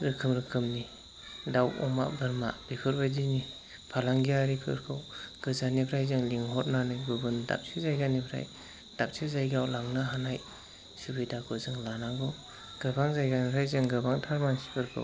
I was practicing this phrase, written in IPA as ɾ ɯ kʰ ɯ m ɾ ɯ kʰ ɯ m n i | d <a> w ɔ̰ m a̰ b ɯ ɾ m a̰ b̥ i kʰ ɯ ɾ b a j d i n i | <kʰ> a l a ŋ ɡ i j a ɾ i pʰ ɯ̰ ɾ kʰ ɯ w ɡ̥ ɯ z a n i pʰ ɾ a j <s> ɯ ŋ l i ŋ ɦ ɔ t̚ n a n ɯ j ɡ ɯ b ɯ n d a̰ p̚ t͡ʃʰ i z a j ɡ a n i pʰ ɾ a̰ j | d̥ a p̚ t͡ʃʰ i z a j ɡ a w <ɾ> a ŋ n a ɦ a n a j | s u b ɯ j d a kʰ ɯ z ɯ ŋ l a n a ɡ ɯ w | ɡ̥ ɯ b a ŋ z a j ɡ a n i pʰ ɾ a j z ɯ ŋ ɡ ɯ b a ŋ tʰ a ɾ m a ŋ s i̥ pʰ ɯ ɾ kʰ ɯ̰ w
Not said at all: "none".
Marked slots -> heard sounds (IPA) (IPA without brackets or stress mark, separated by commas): a, pʰ, z, l